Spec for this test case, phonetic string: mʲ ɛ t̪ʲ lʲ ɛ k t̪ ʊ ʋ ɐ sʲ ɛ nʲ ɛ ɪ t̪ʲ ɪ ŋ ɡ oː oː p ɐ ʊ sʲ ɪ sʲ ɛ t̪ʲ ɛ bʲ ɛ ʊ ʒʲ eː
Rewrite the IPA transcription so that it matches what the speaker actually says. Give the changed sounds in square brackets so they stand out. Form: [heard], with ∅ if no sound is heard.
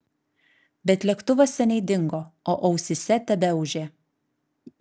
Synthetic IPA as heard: [bʲ] ɛ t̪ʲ lʲ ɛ k t̪ ʊ ʋ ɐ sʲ ɛ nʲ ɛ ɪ [d̪ʲ] ɪ ŋ ɡ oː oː [ʔ] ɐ ʊ sʲ ɪ sʲ ɛ t̪ʲ ɛ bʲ ɛ ʊ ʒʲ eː